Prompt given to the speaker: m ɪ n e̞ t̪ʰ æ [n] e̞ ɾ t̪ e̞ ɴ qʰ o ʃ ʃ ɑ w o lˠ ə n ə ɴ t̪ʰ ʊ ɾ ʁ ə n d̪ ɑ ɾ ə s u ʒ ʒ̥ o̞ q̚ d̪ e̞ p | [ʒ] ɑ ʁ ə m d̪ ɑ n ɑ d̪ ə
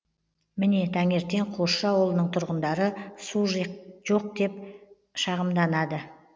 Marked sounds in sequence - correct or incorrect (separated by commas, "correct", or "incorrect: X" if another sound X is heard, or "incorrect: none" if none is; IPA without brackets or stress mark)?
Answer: incorrect: ŋ, incorrect: ʃ